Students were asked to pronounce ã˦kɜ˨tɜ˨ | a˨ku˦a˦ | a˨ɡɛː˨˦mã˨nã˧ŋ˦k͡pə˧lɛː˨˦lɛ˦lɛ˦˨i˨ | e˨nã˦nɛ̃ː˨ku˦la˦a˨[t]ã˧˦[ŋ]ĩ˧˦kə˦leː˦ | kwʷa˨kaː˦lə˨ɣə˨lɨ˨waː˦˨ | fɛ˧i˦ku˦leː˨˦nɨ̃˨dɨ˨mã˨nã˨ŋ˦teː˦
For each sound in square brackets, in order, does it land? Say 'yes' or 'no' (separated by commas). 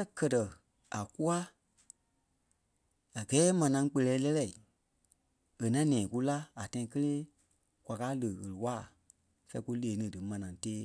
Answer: yes, no